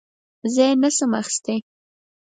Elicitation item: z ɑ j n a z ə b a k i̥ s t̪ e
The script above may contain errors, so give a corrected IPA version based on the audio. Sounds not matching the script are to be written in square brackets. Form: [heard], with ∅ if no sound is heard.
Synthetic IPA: z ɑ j n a [s] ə [m] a [x] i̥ s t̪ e